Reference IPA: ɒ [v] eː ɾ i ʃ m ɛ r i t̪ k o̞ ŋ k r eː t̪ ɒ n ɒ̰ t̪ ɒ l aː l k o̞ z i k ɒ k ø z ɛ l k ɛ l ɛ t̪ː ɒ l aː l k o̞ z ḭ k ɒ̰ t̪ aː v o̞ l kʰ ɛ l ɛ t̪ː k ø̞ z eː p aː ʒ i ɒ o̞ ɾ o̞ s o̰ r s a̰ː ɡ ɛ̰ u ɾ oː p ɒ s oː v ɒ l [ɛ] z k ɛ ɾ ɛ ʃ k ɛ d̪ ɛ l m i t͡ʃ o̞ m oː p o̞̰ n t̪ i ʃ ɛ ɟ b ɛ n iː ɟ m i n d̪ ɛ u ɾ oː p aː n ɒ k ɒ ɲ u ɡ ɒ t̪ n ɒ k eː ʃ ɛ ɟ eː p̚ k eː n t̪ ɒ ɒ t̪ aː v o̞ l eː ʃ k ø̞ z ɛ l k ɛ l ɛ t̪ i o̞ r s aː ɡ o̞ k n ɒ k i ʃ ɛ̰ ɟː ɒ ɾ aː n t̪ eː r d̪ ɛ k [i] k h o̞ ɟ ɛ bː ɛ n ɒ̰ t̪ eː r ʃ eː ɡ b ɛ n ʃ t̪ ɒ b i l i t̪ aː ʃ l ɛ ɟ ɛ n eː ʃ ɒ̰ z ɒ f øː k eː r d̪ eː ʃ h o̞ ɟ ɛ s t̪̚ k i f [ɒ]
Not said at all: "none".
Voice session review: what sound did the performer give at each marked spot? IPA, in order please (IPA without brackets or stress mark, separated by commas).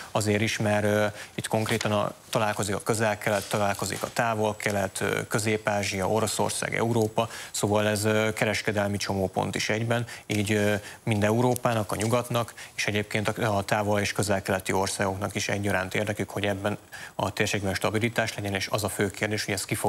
z, ɛ, y, o